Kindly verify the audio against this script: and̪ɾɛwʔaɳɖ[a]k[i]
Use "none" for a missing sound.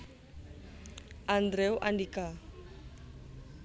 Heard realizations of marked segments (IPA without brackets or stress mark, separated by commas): i, a